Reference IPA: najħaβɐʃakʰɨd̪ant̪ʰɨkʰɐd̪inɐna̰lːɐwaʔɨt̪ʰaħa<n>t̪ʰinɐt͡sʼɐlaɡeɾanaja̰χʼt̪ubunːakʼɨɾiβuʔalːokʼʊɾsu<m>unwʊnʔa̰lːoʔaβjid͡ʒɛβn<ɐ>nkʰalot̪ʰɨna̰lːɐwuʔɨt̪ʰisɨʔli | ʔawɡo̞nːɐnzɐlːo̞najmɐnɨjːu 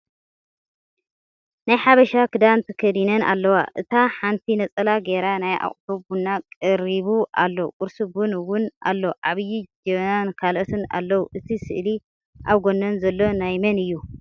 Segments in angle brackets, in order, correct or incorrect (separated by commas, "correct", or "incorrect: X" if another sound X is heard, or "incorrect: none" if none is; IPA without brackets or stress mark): correct, incorrect: b, incorrect: a